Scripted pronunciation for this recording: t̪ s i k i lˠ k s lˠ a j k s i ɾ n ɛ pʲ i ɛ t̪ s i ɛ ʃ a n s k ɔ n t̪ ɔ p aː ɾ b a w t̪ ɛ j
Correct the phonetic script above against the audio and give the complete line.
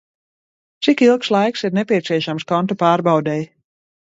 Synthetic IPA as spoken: t̪ s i k i lˠ k s lˠ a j k s i ɾ n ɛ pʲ i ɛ t̪ s i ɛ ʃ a m s k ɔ n t̪ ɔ p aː ɾ b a w d̪ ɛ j